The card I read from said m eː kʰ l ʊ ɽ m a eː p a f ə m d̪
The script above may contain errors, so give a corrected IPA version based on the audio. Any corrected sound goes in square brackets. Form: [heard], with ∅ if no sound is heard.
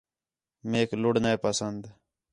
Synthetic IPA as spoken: m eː [k] l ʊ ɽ [n] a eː p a [s] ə [n] d̪